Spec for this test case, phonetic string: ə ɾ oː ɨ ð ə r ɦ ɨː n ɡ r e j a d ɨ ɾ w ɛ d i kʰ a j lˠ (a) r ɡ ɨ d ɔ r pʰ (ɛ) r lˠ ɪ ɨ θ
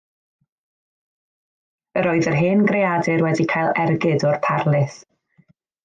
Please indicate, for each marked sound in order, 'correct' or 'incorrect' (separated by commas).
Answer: incorrect, incorrect